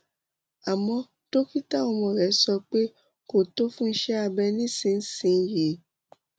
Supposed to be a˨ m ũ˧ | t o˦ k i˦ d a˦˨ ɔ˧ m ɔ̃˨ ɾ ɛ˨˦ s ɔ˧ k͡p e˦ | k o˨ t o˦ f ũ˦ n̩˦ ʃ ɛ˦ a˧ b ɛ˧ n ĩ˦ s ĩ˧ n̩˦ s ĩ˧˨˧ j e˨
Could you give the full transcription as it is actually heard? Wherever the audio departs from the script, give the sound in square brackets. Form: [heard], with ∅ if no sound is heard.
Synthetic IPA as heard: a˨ m [ɔ̃˧] | t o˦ k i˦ [t] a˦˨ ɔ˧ m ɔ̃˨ ɾ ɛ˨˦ s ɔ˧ k͡p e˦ | k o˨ t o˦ f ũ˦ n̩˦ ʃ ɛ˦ a˧ b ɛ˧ n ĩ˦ s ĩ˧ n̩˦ s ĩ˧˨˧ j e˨